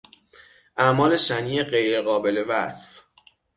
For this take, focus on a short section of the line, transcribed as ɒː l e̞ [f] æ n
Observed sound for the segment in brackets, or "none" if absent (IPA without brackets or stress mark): ʃ